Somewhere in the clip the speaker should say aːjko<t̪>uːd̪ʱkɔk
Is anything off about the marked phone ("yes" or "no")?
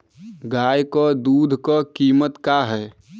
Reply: yes